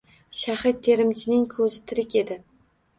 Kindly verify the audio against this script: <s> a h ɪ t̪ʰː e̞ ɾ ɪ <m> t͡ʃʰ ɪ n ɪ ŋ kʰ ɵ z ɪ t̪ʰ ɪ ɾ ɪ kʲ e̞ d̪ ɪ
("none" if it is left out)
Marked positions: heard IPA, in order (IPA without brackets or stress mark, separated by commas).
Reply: ʃ, m